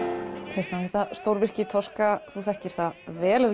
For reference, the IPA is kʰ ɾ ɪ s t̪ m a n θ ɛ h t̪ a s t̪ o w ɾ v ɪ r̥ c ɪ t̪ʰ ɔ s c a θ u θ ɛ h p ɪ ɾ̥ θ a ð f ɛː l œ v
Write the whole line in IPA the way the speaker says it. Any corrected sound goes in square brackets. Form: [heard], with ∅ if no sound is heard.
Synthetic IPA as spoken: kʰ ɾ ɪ s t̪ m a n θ ɛ h t̪ a s t̪ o w ɾ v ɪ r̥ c ɪ t̪ʰ ɔ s [k] a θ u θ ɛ h [c] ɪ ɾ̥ θ a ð [v] ɛː l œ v